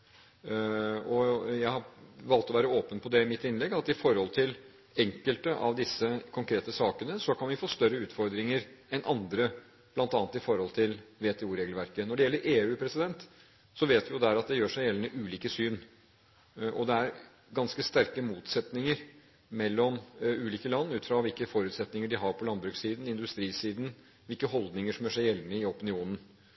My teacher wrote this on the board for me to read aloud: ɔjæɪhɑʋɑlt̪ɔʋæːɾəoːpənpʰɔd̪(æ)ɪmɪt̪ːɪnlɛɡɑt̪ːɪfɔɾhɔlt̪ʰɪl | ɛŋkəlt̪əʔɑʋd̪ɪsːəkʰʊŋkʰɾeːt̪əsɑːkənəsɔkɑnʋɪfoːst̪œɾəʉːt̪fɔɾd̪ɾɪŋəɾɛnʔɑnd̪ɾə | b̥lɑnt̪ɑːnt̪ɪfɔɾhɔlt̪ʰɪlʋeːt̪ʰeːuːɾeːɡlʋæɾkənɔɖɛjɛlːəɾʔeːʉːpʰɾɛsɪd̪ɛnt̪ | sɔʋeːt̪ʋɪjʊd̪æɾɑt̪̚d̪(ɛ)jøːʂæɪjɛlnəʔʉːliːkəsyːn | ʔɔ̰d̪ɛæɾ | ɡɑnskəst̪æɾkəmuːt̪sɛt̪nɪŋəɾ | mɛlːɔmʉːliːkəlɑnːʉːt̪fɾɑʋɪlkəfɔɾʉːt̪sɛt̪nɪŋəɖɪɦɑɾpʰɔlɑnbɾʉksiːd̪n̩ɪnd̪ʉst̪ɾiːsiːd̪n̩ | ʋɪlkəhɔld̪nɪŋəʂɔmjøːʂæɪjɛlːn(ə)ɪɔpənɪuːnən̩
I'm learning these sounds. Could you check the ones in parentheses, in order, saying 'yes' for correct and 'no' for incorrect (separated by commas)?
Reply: no, yes, yes